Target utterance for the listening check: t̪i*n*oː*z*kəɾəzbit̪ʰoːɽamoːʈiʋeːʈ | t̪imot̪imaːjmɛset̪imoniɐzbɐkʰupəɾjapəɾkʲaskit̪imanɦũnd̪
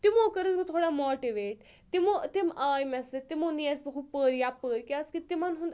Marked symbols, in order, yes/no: no, no

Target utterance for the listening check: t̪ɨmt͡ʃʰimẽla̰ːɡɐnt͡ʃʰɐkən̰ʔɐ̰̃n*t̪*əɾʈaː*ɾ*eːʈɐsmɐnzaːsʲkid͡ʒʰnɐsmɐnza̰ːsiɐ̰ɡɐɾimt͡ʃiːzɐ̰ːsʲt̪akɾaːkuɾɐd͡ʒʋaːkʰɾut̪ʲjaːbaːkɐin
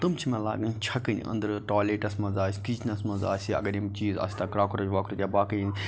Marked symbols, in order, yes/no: no, no

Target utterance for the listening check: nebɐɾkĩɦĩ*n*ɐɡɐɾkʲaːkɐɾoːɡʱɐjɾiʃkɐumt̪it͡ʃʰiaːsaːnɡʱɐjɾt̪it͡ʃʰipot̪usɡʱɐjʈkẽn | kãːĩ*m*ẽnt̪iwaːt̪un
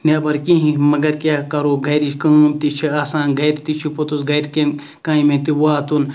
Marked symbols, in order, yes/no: no, yes

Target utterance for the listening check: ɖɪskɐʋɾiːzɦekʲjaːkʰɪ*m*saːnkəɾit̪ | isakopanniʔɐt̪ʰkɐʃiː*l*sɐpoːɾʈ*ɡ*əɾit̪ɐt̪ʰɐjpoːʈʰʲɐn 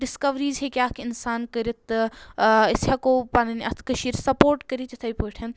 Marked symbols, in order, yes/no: no, no, no

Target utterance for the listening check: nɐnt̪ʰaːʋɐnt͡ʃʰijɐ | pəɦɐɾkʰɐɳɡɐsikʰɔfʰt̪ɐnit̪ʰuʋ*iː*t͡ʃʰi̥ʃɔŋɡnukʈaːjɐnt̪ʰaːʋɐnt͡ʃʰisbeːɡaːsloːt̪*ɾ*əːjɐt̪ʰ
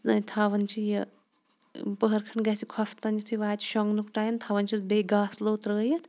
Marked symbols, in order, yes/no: no, yes

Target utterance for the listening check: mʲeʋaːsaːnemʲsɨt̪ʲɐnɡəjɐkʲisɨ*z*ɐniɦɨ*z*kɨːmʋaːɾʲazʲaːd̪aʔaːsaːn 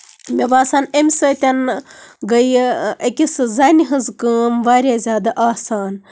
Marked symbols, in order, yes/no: yes, yes

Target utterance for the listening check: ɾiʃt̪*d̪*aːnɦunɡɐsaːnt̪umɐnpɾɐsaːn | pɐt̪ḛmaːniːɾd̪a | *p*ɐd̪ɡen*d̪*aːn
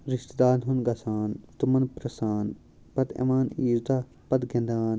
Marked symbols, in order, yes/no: yes, yes, yes

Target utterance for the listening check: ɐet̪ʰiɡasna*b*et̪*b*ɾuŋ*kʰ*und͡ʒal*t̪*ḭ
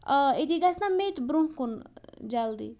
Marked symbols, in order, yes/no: no, yes, no, no

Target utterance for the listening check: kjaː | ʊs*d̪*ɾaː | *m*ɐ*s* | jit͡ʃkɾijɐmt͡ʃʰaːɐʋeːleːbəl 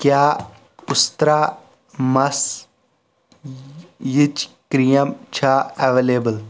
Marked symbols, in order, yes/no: no, yes, yes

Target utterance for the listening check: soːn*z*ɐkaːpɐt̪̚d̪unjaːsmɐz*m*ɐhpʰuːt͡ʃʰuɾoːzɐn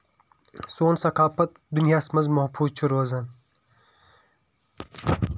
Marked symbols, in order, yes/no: no, yes

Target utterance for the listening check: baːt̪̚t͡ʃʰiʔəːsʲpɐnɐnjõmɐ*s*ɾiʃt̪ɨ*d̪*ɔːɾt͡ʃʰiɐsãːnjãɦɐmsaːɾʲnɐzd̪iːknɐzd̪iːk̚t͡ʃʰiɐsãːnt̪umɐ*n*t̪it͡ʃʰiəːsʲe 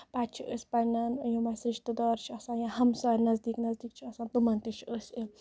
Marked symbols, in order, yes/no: yes, yes, yes

